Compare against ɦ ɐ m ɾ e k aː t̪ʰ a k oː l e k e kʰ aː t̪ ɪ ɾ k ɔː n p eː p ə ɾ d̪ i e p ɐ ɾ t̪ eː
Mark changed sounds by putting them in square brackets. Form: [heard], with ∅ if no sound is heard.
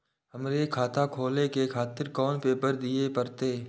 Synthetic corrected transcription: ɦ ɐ m ɾ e [kʰ] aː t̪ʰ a [kʰ] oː l e k e kʰ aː t̪ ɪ ɾ k ɔː n p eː p ə ɾ d̪ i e p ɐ ɾ t̪ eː